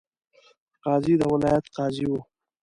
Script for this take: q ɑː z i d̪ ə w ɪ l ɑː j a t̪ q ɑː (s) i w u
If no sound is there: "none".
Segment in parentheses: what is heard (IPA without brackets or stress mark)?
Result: z